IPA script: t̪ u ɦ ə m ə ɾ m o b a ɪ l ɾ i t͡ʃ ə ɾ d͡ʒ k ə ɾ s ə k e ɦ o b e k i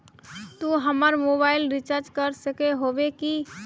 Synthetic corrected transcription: t̪ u ɦ ə m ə ɾ m o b a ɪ l ɾ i t͡ʃ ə ɾ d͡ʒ k ə ɾ s ə k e ɦ o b e k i

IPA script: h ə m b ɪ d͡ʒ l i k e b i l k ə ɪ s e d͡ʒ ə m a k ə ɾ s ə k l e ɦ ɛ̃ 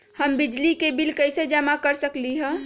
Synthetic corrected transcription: h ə m b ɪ d͡ʒ l i k e b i l k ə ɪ s e d͡ʒ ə m a k ə ɾ s ə k l i ɦ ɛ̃

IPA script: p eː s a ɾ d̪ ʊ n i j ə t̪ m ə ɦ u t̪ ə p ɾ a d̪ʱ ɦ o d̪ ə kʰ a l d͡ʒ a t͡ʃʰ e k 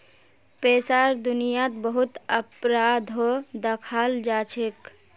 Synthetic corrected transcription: p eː s a ɾ d̪ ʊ n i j a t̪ b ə ɦ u t̪ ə p ɾ a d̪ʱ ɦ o d̪ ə kʰ a l d͡ʒ a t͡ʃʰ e k

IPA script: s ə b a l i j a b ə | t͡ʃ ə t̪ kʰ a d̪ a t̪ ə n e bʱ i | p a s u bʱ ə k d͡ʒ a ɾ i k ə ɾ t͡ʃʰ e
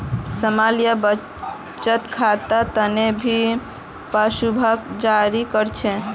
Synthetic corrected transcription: s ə m a l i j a b ə | t͡ʃ ə t̪ kʰ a t̪ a t̪ ə n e bʱ i | p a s u bʱ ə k d͡ʒ a ɾ i k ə ɾ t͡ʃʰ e

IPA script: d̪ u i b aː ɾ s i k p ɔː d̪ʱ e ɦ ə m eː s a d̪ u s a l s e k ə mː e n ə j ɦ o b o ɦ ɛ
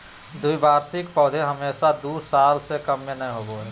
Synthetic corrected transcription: d̪ u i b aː ɾ s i k p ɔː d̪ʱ e ɦ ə m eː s a d̪ u s a l s e k ə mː e n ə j ɦ o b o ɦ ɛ

